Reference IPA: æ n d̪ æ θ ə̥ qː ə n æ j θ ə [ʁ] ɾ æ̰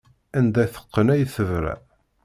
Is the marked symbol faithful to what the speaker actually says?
no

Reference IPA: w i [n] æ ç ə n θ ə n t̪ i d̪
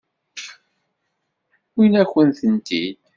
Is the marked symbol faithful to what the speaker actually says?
yes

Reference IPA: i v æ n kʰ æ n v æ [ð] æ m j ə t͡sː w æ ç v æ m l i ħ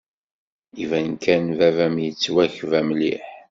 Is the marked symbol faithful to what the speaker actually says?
no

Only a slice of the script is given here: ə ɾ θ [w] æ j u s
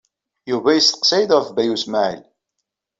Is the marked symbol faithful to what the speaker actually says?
no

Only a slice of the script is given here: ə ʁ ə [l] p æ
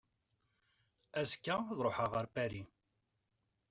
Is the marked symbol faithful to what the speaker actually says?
no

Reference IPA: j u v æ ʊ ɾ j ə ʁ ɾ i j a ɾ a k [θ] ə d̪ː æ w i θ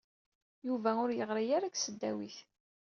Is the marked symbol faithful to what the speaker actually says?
no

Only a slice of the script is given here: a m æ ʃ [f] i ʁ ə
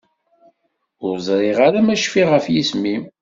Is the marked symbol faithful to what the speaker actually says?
yes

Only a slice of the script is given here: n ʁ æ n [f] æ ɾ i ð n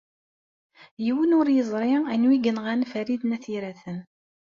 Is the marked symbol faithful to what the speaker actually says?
yes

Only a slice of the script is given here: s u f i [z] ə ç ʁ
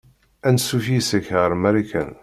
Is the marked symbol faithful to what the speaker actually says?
no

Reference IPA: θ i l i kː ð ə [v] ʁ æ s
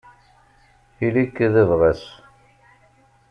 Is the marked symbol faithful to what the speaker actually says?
yes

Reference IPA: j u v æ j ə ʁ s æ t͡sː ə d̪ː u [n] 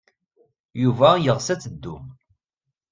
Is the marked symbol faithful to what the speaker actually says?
no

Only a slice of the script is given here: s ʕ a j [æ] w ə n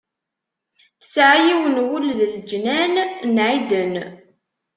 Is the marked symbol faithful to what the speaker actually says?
no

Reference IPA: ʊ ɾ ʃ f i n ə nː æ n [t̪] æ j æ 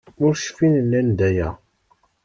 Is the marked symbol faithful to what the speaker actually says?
no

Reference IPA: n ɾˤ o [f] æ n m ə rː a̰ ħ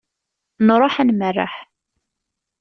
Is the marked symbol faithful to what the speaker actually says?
no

